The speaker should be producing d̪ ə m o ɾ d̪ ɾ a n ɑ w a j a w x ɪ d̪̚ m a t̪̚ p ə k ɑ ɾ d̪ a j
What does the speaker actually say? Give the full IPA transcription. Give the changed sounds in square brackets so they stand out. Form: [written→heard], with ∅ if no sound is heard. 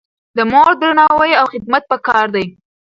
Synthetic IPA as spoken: d̪ ə m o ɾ d̪ ɾ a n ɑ w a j a w x ɪ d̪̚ m a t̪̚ p ə k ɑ ɾ d̪ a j